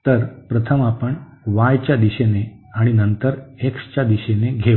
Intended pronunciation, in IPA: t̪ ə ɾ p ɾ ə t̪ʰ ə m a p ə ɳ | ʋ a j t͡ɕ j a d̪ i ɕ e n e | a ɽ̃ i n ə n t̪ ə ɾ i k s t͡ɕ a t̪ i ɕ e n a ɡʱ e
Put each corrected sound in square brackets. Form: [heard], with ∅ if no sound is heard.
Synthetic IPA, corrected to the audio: t̪ ə ɾ p ɾ ə t̪ʰ ə m a p ə ɳ | ʋ a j t͡ɕ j a d̪ i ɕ e n e | a ɽ̃ i n ə n t̪ ə ɾ [e] k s t͡ɕ a [d̪] i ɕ e n [e] ɡʱ e